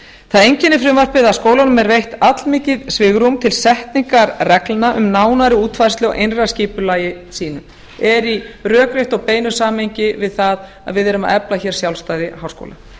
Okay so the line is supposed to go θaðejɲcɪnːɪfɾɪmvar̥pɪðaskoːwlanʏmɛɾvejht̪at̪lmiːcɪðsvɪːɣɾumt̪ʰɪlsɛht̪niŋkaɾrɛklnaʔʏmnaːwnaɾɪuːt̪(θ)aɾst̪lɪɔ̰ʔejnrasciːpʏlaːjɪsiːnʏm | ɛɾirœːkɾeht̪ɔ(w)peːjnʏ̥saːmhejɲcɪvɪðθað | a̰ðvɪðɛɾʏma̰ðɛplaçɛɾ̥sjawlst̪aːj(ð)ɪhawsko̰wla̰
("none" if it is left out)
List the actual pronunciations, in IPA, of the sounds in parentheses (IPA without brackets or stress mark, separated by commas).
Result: f, ɣ, ð